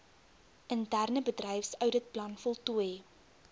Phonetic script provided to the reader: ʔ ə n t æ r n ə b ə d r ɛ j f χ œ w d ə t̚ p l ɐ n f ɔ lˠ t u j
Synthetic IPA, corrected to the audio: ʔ ə n t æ r n ə b ə d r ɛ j f s œ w d ə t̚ p l ɐ n f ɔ lˠ t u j